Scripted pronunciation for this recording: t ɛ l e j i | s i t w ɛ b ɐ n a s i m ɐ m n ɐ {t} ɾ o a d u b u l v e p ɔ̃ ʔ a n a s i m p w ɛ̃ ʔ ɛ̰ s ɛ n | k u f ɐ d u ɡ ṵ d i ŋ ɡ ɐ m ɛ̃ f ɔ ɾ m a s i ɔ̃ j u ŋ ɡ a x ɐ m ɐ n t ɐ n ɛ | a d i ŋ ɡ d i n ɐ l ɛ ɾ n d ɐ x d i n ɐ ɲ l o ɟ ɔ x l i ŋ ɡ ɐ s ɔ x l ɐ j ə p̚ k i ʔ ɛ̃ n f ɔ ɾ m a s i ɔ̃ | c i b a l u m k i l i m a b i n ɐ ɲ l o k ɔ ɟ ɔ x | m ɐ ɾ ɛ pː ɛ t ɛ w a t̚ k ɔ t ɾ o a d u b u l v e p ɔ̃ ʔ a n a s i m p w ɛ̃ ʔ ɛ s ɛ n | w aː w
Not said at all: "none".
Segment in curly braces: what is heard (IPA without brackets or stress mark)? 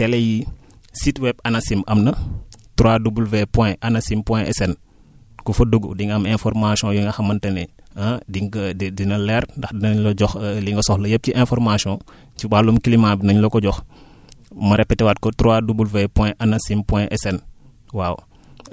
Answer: t